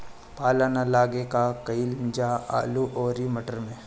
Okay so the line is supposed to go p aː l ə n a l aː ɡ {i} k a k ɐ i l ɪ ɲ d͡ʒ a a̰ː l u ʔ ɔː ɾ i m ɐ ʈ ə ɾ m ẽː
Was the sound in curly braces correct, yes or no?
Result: no